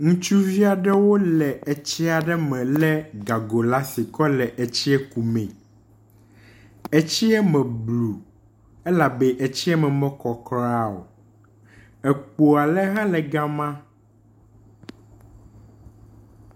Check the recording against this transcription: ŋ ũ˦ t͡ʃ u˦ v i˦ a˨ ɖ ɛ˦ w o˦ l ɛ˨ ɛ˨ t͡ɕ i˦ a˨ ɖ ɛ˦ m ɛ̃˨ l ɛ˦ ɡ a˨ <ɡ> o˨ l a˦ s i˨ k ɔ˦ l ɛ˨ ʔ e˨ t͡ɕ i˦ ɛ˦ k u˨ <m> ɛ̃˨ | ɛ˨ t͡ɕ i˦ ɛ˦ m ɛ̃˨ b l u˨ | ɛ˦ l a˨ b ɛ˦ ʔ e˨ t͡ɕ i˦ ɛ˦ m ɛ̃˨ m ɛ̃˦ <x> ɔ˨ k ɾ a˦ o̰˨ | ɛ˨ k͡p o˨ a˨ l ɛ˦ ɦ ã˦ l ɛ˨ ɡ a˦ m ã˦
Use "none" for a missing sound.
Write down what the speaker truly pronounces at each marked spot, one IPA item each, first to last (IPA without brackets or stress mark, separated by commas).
ɡ, m, k